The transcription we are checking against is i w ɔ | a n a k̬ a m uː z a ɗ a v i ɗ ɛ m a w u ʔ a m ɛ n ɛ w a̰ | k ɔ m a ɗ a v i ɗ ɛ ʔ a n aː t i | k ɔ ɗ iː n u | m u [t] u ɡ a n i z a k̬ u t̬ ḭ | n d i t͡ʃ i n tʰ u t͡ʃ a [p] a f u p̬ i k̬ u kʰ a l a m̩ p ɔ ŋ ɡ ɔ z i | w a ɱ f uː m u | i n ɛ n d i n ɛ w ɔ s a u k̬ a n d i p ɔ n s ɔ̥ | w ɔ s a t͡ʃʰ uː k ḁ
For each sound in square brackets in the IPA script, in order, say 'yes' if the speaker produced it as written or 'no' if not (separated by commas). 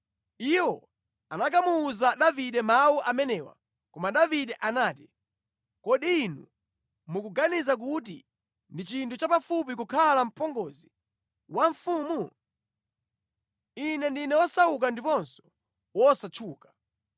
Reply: no, yes